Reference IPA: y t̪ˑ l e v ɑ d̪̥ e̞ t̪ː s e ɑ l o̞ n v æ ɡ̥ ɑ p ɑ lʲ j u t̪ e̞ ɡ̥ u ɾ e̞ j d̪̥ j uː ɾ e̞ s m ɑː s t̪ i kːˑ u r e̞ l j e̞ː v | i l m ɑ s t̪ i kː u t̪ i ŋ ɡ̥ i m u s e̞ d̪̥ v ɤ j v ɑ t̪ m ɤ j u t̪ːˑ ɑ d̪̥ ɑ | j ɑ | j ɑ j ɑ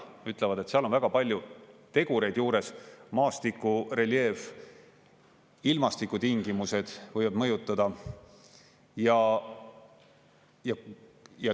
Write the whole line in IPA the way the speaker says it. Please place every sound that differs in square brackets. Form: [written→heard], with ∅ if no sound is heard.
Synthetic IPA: y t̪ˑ l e v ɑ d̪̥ e̞ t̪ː s e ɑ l o̞ n v æ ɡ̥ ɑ p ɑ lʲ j u t̪ e̞ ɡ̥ u ɾ e̞ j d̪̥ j uː ɾ e̞ s m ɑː s t̪ i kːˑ u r e̞ l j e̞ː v | i l m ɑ s t̪ i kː u t̪ i ŋ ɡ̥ i m u s e̞ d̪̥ v ɤ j v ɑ [t̪→d̪] m ɤ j u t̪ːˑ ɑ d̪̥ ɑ | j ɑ | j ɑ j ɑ

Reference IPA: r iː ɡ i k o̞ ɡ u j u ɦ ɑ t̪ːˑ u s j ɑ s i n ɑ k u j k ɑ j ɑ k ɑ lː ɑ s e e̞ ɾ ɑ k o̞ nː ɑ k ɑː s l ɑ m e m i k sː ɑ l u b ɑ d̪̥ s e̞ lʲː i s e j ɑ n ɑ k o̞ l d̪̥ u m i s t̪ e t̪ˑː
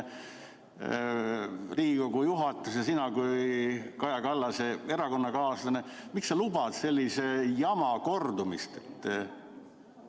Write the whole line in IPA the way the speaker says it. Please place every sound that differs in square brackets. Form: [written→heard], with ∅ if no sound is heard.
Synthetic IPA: r iː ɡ i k o̞ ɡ u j u ɦ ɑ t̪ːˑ u s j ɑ s i n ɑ k u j k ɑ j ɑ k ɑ lː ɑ s e e̞ ɾ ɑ k o̞ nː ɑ k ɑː s l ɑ [m→n] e m i k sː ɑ l u b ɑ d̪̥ s e̞ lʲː i s e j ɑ [n→m] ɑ k o̞ [l→r] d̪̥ u m i s t̪ e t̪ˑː

